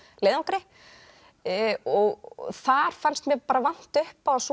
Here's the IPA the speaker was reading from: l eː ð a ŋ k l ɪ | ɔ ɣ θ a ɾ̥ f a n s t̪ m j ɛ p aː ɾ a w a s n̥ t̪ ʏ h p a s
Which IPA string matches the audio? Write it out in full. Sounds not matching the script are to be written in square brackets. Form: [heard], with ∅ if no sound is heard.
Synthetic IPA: l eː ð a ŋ k [ɾ] ɪ | ɔ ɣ θ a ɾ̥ f a n s t̪ m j ɛ p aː ɾ a [v] a [∅] n̥ t̪ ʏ h p a s